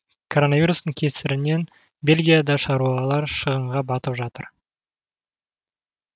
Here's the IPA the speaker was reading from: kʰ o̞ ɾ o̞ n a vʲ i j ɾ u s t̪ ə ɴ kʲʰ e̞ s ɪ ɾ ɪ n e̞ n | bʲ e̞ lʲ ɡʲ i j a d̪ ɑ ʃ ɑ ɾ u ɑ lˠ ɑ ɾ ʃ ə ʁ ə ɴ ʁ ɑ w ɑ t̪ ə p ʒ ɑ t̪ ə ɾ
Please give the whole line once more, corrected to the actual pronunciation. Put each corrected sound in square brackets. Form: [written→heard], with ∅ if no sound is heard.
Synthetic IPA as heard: kʰ o̞ ɾ o̞ n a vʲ i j ɾ u s t̪ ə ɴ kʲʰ e̞ s ɪ ɾ ɪ n e̞ n | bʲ e̞ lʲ ɡʲ i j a d̪ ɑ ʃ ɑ ɾ u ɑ lˠ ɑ ɾ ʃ ə ʁ ə ɴ ʁ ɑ [w→b] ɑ t̪ ə p ʒ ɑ t̪ ə ɾ